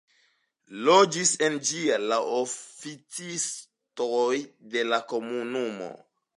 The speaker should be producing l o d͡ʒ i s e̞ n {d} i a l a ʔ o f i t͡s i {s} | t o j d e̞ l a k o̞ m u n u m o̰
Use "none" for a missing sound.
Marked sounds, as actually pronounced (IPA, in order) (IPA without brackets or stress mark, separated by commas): d͡ʒ, s